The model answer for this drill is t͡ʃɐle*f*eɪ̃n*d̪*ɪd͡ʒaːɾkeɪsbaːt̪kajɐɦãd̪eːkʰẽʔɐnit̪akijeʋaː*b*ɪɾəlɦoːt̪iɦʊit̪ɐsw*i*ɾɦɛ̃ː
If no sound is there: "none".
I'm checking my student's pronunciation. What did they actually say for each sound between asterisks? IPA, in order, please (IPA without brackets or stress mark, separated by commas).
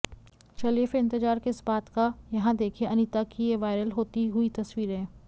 f, t̪, none, iː